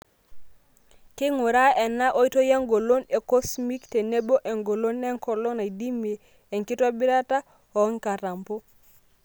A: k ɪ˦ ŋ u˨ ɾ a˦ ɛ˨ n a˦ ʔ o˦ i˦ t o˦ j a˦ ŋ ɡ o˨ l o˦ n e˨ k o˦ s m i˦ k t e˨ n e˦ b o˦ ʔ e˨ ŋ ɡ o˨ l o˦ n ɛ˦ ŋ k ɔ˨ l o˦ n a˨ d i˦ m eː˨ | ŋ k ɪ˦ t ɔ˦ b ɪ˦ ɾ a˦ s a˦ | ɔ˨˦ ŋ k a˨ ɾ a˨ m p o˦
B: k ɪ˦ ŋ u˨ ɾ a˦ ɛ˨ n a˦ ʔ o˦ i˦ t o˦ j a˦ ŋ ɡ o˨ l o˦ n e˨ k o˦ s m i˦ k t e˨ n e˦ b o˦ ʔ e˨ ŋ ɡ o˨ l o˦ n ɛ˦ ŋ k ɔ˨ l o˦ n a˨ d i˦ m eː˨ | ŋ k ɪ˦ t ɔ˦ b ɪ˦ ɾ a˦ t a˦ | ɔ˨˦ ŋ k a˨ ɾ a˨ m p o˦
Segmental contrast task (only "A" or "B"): B